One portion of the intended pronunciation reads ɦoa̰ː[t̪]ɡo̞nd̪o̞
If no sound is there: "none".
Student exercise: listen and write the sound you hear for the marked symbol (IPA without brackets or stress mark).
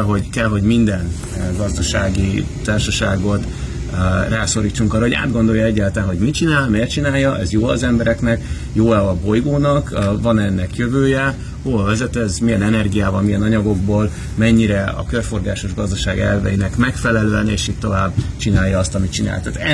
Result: d̪